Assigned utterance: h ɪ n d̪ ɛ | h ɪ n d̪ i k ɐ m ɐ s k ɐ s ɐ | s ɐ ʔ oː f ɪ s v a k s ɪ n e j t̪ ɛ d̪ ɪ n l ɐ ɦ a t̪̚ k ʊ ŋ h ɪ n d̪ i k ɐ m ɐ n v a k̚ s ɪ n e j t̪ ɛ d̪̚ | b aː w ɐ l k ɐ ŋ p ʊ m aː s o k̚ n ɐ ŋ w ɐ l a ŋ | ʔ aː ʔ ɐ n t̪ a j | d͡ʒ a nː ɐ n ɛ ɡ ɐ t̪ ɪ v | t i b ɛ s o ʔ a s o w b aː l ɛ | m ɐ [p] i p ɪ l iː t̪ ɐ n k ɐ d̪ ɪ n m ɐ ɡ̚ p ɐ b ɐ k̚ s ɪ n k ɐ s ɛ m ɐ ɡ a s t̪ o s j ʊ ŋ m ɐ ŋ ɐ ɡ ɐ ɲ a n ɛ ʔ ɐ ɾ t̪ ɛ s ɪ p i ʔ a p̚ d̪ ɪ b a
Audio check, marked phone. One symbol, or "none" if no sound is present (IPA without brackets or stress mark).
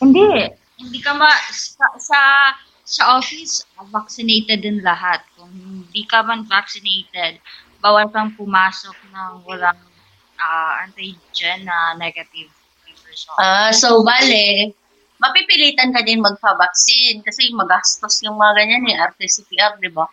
p